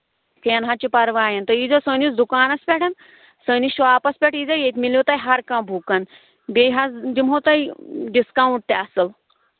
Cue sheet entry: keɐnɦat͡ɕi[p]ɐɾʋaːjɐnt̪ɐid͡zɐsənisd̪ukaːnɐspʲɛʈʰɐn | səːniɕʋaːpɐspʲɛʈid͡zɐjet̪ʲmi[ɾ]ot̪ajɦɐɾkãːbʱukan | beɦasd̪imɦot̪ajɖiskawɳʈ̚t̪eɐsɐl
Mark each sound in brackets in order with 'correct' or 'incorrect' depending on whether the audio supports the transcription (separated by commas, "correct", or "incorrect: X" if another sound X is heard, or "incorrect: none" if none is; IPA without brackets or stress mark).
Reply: correct, incorrect: l